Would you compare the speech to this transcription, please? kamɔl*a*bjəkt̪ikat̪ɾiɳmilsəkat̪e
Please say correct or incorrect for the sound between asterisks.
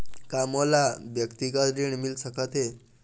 correct